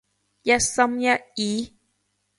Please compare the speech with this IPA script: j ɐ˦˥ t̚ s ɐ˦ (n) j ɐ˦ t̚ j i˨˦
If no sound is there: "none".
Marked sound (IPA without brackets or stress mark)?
m